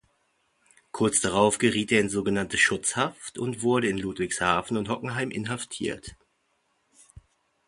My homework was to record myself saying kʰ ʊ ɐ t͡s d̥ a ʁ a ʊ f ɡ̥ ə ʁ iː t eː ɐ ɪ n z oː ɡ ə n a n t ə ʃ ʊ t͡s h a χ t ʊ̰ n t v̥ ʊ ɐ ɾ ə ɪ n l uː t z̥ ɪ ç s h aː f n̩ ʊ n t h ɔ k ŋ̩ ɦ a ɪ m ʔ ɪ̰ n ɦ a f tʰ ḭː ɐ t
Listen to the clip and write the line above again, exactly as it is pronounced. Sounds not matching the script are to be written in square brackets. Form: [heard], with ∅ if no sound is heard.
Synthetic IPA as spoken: kʰ ʊ ɐ t͡s d̥ a ʁ a ʊ f ɡ̥ ə ʁ iː t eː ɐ ɪ n z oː ɡ ə n a n t ə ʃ ʊ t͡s h a [f] t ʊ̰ n t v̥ ʊ ɐ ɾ ə ɪ n l uː t [v̥] ɪ ç s h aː f n̩ ʊ n t h ɔ k ŋ̩ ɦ a ɪ m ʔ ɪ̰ n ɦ a f tʰ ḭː ɐ t